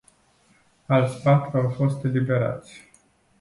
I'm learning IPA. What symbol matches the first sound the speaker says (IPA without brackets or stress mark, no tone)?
a